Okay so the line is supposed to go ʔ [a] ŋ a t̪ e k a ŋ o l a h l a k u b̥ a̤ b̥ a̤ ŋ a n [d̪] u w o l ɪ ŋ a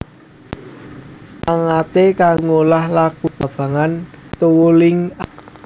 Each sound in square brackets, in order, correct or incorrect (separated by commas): correct, incorrect